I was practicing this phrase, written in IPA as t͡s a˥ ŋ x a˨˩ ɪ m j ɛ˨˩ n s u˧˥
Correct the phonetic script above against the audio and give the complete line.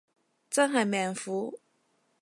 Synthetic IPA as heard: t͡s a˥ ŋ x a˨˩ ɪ m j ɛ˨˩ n f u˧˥